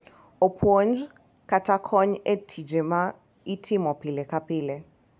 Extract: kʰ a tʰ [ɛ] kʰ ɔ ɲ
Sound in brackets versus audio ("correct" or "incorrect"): incorrect